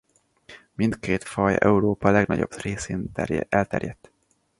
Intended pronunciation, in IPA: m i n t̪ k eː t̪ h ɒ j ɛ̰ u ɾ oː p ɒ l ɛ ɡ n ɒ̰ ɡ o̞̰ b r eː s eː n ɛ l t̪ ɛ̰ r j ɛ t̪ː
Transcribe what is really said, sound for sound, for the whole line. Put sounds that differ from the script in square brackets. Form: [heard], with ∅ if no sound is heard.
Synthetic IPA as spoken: m i n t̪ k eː t̪ [f] ɒ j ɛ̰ u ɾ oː p ɒ l ɛ ɡ n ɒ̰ [ɟ] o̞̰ b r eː s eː n ɛ l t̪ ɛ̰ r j ɛ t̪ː

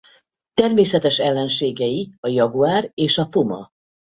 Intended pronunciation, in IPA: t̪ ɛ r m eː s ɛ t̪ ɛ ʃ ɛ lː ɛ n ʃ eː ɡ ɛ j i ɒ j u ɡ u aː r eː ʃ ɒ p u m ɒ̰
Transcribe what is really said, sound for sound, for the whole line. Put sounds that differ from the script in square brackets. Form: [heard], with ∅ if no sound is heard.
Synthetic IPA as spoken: t̪ ɛ r m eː s ɛ t̪ ɛ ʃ ɛ lː ɛ n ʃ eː ɡ ɛ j i ɒ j [ɒ] ɡ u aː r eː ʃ ɒ p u m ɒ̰

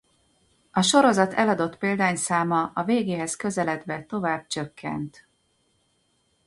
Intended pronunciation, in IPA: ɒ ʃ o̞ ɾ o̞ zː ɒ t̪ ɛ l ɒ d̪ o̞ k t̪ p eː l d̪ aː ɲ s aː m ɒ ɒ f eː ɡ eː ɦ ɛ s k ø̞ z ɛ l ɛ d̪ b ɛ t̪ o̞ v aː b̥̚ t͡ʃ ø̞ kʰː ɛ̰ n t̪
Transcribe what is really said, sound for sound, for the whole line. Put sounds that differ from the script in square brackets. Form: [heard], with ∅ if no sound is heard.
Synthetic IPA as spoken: ɒ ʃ o̞ ɾ o̞ [z] ɒ t̪ ɛ l ɒ d̪ o̞ [∅] t̪ p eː l d̪ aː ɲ s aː m ɒ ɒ [v] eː ɡ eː ɦ ɛ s k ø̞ z ɛ l ɛ d̪ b ɛ t̪ o̞ v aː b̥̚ t͡ʃ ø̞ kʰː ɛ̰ n t̪

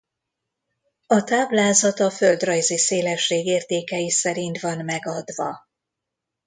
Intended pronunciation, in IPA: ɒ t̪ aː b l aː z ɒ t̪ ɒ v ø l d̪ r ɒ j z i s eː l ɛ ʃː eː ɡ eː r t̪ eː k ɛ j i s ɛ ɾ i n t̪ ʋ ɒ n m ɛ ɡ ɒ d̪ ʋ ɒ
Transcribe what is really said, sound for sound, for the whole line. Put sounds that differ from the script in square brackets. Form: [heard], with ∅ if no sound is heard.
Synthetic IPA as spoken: ɒ t̪ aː b l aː z ɒ t̪ ɒ [f] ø l d̪ r ɒ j z i s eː l ɛ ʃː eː ɡ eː r t̪ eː k ɛ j i s ɛ ɾ i n t̪ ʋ ɒ n m ɛ ɡ ɒ d̪ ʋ ɒ

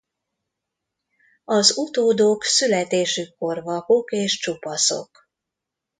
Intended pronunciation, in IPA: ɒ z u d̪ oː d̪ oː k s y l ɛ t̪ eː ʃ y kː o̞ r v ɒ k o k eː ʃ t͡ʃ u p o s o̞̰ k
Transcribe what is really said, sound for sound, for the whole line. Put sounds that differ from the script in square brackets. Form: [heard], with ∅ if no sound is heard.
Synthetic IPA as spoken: ɒ z u [t̪] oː d̪ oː k s y l ɛ t̪ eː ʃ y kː o̞ r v ɒ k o k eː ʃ t͡ʃ u p [ɒ] s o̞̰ k

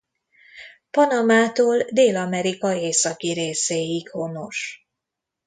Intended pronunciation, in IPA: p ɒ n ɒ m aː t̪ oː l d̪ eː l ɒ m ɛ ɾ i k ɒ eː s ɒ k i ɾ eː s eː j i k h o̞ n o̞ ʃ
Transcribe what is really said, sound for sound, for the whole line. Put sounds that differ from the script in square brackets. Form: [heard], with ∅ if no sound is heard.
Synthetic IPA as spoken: p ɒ n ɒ m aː t̪ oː l d̪ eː l ɒ m ɛ ɾ i k ɒ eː s ɒ k i ɾ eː s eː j i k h o̞ n o̞ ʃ

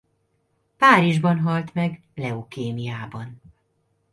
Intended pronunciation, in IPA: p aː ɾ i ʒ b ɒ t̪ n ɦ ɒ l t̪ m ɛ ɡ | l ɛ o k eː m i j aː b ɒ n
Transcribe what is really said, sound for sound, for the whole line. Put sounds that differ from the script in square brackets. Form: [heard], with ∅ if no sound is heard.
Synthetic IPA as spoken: p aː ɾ i ʒ b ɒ [∅] n ɦ ɒ l t̪ m ɛ ɡ | l ɛ o k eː m i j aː b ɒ n

